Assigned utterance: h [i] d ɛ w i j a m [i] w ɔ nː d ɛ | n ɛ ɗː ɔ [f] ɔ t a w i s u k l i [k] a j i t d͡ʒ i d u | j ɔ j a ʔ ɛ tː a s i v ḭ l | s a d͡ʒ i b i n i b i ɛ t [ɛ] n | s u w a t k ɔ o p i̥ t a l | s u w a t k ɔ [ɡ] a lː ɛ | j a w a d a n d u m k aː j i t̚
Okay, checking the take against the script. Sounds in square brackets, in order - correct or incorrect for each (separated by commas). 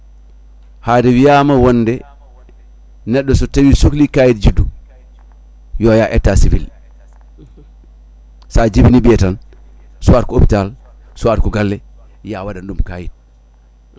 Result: incorrect, incorrect, incorrect, correct, incorrect, correct